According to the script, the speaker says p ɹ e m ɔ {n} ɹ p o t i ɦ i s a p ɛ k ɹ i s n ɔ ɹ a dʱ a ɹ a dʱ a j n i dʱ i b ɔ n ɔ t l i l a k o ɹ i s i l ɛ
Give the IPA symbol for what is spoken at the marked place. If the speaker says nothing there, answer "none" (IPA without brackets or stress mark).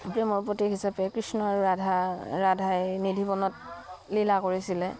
none